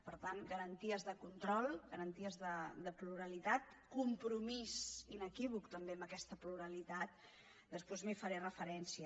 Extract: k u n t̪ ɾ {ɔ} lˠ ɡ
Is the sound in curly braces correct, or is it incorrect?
correct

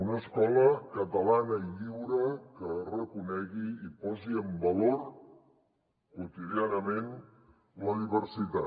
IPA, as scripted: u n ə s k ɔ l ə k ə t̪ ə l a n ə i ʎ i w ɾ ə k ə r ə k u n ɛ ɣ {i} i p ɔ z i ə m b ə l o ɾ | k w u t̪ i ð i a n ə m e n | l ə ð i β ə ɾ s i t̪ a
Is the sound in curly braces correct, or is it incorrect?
correct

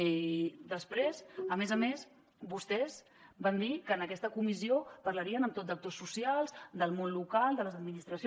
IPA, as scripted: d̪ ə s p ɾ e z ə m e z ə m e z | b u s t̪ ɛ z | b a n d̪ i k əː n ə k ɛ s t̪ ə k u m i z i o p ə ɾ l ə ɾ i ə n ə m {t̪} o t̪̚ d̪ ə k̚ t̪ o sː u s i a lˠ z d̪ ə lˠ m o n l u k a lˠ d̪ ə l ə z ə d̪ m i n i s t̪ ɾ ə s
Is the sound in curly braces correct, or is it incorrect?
correct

